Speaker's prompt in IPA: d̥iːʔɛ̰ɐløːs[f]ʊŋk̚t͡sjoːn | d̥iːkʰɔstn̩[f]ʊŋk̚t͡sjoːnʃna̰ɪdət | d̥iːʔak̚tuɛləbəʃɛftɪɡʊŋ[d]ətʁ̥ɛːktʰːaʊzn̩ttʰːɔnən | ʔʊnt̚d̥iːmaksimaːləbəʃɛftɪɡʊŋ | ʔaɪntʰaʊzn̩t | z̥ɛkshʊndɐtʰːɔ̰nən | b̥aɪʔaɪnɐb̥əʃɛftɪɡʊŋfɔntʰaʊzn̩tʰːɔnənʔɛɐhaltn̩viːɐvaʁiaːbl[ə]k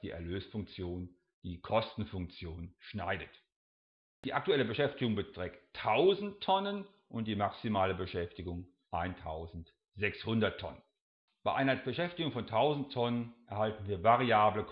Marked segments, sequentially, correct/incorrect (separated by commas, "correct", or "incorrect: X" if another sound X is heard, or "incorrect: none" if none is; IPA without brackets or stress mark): correct, correct, incorrect: b, correct